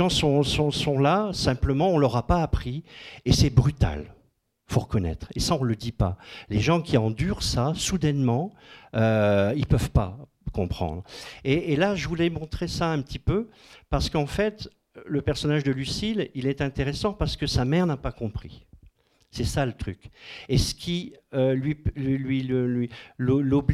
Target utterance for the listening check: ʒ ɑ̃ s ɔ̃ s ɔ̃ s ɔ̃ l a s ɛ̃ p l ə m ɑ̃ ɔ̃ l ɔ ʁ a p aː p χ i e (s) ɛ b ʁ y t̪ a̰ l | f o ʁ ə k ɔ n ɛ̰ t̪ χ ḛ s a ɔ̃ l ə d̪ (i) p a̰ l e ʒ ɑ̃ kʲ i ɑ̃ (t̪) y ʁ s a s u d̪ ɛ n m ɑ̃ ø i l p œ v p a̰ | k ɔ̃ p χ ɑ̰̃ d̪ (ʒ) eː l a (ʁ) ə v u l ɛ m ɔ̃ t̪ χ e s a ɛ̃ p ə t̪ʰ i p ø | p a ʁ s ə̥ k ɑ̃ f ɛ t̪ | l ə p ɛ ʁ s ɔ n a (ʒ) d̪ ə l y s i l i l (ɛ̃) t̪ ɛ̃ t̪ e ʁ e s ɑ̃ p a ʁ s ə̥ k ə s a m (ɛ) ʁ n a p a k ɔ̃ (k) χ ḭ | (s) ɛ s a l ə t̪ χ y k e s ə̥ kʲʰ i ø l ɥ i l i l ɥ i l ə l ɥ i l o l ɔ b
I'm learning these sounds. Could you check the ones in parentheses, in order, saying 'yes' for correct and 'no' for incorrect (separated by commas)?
yes, yes, no, no, no, yes, no, yes, no, yes